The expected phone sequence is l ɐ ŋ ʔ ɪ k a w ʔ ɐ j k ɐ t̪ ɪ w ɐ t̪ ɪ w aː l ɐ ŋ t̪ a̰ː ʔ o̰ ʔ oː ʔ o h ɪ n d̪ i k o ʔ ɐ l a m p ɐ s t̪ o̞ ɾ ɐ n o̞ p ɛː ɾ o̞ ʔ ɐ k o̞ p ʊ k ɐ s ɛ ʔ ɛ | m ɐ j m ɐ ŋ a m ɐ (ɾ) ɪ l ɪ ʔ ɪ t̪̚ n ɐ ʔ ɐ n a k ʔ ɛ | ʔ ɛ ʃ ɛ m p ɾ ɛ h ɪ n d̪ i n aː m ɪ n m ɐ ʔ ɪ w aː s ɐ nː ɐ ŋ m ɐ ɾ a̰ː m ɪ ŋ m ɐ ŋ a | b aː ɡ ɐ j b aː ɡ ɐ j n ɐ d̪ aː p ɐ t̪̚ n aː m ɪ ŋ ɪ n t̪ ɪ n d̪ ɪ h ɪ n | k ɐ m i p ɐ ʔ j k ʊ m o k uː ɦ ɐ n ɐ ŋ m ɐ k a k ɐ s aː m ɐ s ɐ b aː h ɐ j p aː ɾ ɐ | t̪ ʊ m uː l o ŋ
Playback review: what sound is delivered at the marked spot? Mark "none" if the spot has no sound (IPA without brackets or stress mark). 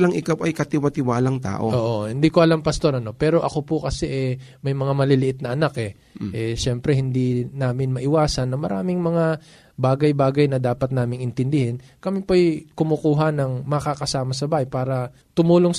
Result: l